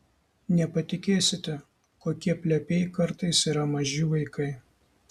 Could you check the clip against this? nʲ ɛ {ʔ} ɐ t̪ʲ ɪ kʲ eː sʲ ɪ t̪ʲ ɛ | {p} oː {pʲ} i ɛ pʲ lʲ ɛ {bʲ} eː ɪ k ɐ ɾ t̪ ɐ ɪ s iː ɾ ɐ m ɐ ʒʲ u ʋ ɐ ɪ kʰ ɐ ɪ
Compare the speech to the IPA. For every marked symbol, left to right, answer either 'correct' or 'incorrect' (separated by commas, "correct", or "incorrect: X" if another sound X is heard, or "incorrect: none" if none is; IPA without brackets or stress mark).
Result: incorrect: p, incorrect: k, incorrect: kʲ, incorrect: pʲ